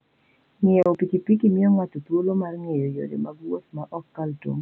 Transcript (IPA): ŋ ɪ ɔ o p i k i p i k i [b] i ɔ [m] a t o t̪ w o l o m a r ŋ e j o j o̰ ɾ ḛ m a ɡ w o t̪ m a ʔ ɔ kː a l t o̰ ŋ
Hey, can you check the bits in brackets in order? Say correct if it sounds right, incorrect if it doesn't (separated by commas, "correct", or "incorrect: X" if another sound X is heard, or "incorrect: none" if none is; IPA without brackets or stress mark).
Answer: incorrect: m, incorrect: ŋ